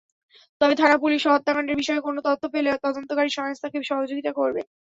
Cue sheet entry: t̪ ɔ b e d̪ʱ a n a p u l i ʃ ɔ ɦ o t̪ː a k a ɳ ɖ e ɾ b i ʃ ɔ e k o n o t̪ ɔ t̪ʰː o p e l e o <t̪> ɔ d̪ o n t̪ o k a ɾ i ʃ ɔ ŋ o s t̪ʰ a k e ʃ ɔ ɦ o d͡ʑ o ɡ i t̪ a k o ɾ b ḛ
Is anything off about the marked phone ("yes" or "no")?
no